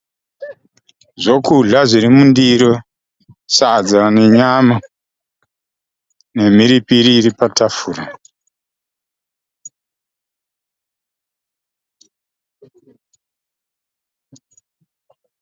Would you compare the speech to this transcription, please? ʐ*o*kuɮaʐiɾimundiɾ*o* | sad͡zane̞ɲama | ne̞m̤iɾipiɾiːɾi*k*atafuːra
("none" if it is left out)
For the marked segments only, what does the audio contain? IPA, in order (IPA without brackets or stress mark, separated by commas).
o, o, p